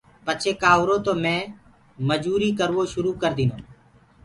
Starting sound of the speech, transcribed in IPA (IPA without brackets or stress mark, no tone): p